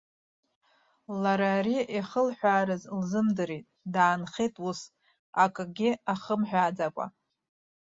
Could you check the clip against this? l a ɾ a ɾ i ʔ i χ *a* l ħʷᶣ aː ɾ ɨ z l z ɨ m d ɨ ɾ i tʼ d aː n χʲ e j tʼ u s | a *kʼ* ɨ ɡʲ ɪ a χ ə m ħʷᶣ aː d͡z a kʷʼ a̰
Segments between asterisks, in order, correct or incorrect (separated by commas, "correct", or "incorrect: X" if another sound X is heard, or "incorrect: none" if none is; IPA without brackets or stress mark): incorrect: ə, correct